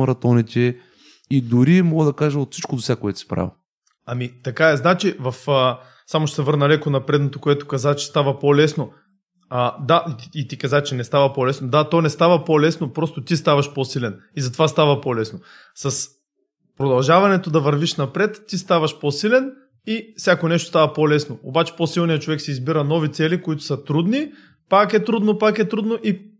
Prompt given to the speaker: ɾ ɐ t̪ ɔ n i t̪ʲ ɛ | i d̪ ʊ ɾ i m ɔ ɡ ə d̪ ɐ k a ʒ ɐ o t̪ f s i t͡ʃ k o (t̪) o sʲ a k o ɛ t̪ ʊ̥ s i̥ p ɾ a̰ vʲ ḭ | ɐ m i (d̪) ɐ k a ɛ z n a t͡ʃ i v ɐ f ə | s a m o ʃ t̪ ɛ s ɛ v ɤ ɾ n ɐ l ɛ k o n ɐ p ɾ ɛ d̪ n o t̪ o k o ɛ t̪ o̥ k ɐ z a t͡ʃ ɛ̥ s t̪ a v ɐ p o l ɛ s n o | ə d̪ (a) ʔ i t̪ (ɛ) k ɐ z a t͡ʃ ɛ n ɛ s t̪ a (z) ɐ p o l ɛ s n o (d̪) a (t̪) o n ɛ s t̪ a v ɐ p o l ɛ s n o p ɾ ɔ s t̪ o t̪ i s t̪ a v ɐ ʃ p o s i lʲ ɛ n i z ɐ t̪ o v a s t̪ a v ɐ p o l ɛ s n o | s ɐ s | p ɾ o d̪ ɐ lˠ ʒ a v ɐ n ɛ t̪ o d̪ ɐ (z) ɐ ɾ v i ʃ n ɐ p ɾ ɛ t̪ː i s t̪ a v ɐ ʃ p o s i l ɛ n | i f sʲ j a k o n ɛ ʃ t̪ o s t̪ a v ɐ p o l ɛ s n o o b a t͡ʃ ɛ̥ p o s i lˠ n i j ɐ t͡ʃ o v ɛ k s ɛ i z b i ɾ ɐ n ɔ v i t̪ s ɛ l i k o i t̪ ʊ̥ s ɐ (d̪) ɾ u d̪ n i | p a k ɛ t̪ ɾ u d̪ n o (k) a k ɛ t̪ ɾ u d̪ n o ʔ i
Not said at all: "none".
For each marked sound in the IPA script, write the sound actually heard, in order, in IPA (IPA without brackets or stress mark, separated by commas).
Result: d̪, t̪, a, i, v, d̪, t̪, v, t̪, p